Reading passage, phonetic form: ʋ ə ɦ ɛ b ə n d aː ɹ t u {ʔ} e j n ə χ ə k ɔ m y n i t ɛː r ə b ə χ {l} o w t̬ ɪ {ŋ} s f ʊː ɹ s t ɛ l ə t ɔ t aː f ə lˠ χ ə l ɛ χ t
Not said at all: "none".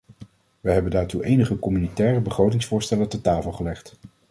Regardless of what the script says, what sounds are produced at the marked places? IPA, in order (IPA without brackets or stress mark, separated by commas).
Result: ʔ, r, ŋ